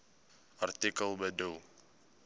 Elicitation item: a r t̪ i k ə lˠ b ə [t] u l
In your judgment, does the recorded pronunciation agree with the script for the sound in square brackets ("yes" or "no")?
no